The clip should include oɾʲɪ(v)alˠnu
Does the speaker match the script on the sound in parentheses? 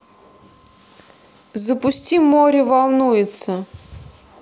yes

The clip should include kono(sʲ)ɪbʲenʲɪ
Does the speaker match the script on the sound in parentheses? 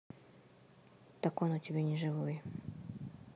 no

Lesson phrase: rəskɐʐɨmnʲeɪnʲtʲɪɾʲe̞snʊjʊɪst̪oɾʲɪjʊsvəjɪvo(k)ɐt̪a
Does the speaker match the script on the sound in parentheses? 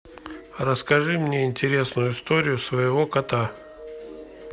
yes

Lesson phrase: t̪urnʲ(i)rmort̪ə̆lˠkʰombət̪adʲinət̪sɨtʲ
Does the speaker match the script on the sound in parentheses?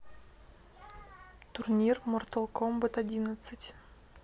yes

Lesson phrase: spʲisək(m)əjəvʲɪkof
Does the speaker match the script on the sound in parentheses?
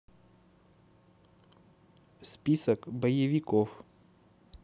no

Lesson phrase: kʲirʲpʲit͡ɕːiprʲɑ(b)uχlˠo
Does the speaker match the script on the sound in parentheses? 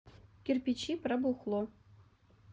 yes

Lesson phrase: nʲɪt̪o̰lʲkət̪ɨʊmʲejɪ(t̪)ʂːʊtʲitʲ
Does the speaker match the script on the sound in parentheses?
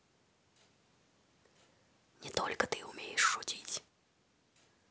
no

